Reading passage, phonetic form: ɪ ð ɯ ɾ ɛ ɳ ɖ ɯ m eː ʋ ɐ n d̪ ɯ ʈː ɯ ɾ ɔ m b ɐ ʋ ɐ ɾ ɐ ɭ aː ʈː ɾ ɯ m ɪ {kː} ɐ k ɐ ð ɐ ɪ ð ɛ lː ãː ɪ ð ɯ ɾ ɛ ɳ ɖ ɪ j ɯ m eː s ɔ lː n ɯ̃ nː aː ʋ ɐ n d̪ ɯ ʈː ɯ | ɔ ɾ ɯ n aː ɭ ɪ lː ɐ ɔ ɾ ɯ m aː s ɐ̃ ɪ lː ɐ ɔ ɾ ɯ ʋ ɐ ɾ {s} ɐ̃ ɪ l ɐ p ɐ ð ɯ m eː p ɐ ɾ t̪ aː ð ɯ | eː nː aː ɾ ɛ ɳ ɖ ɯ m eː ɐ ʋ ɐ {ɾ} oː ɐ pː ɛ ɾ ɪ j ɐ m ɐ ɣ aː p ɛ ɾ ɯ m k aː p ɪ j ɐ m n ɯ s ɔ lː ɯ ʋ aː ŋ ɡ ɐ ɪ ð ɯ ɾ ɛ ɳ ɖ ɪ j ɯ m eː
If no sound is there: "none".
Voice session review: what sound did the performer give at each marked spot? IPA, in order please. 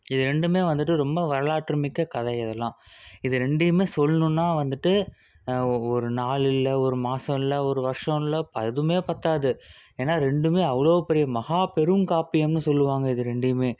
kː, ʂ, ɭ

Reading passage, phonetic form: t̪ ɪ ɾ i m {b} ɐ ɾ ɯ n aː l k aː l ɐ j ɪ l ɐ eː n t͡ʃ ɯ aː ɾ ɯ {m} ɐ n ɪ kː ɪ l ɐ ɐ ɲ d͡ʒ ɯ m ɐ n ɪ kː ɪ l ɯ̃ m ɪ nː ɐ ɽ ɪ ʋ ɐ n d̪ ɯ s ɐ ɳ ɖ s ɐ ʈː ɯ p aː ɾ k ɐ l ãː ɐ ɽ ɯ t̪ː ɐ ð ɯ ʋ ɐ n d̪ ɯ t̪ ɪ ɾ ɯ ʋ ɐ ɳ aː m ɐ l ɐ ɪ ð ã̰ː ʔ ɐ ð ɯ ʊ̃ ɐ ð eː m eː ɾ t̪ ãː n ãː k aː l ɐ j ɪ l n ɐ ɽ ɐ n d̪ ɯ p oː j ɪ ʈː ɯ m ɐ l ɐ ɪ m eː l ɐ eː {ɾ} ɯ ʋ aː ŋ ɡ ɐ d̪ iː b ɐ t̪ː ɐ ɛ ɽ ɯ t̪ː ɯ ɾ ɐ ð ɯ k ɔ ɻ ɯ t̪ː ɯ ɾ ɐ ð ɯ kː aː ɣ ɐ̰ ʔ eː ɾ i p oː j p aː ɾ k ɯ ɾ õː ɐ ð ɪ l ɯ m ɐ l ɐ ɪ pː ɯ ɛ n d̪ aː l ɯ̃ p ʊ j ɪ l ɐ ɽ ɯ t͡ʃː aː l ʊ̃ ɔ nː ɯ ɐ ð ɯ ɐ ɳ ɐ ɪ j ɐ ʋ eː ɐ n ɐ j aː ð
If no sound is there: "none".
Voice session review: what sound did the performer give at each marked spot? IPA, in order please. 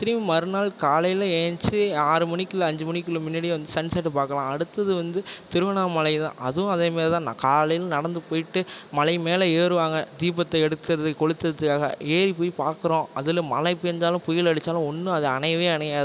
m, m, ɾ

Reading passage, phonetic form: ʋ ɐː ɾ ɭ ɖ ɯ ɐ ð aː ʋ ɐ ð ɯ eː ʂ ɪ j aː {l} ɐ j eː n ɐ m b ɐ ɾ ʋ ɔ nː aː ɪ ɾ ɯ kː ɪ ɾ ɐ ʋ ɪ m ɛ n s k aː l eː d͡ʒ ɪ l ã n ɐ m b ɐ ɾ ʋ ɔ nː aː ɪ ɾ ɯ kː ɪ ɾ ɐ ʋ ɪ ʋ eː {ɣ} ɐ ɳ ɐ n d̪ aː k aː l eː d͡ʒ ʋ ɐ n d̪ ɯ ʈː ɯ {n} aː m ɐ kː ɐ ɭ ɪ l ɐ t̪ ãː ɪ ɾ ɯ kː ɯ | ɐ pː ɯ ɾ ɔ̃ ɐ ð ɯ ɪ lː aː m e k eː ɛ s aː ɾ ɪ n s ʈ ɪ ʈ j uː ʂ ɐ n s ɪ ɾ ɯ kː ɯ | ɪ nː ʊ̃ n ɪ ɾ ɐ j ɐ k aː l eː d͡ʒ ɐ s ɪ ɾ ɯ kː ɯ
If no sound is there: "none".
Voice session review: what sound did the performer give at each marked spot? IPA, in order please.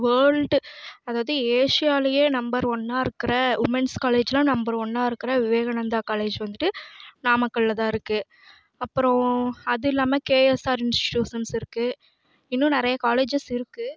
l, ɣ, n

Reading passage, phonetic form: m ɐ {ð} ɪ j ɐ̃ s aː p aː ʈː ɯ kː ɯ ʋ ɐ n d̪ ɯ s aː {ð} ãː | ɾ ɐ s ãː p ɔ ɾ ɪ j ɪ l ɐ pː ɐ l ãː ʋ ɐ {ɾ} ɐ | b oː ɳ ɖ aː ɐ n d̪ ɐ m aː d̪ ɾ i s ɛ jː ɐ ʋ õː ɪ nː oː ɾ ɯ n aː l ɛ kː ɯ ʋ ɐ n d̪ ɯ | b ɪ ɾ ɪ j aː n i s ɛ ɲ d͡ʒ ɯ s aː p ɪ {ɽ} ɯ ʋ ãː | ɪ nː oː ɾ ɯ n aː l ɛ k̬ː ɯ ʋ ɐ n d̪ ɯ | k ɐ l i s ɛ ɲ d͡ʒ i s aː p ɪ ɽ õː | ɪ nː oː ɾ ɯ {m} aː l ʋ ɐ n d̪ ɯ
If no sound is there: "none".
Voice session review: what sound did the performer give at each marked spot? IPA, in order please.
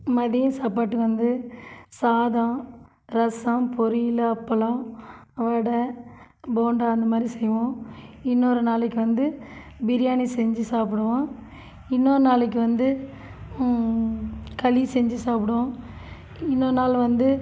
ð, ð, ɽ, ɽ, n

